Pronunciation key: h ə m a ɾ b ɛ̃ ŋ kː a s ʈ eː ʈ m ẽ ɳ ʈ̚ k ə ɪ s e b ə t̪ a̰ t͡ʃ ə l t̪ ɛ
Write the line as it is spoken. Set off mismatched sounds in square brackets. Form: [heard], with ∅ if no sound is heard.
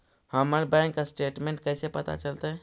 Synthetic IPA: h ə m [ə] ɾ b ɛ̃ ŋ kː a s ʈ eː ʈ m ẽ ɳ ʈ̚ k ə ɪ s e [p] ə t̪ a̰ t͡ʃ ə l t̪ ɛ